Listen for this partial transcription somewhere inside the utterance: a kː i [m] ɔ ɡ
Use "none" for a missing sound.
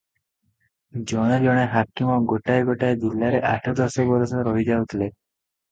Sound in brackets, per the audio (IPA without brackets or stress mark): m